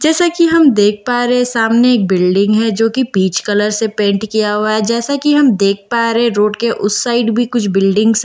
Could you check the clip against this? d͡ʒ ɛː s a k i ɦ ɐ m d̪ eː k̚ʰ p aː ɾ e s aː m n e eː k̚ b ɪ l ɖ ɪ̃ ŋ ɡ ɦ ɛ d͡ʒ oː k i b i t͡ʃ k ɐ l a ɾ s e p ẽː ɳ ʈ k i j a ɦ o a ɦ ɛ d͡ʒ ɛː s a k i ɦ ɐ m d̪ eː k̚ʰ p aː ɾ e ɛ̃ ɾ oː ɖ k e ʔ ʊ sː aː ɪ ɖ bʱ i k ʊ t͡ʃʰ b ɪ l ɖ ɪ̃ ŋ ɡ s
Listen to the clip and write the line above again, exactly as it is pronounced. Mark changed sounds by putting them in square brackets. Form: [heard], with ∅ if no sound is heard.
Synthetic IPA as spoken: d͡ʒ ɛː s a k i ɦ ɐ m d̪ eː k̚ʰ p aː ɾ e s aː m n e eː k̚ b ɪ l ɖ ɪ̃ ŋ ɡ ɦ ɛ d͡ʒ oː k i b [iː] t͡ʃ k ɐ l [ə] ɾ s e p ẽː ɳ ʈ k i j a ɦ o a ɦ ɛ d͡ʒ ɛː s a k i ɦ ɐ m d̪ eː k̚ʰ p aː ɾ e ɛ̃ ɾ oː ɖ k e ʔ ʊ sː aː ɪ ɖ bʱ i k ʊ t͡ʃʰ b ɪ l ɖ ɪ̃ ŋ ɡ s